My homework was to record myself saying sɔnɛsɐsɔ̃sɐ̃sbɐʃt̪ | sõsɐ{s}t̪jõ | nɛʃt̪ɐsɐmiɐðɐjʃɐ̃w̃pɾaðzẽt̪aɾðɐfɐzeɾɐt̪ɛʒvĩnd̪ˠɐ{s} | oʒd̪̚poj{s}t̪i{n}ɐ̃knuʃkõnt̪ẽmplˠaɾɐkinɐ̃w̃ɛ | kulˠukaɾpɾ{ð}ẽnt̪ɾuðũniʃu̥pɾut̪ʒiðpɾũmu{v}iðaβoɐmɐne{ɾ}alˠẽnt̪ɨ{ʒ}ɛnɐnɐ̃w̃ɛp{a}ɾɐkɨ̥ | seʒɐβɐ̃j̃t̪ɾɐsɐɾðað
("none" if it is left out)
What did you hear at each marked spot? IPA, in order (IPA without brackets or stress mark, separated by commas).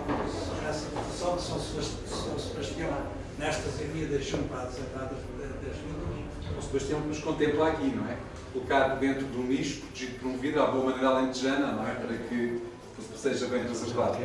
ʃ, ʃ, ʃ, ɲ, ð, v, ɾ, ʒ, ɐ